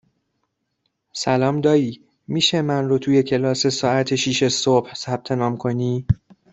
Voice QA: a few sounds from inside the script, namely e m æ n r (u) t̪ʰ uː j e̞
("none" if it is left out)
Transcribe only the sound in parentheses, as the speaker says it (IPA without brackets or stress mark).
o